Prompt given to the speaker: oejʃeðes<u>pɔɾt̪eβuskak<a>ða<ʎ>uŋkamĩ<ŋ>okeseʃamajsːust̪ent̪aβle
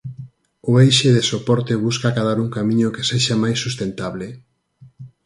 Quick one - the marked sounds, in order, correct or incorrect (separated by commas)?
incorrect, correct, incorrect, incorrect